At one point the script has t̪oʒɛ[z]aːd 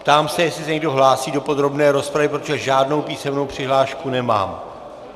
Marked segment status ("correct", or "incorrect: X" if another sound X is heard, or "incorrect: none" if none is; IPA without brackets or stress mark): incorrect: ʒ